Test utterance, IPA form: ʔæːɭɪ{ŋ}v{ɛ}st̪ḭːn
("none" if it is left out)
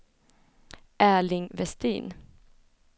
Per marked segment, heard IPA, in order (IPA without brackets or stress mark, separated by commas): ŋ, ɛ